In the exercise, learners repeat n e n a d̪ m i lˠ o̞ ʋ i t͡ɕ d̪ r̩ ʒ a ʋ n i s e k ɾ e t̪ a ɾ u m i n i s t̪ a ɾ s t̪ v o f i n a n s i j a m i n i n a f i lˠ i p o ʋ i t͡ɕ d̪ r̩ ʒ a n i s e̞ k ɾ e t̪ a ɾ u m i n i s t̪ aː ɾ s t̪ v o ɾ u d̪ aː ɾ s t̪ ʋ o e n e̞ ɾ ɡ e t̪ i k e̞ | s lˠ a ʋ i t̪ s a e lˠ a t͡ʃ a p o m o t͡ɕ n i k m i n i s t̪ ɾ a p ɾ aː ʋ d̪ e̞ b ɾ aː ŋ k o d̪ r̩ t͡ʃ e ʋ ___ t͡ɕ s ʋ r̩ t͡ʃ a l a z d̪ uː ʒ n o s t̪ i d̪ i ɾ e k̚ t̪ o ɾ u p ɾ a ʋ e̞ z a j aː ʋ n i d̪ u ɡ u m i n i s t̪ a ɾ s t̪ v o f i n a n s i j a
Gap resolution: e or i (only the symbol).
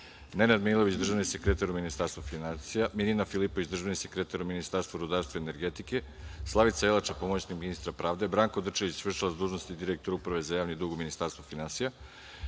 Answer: i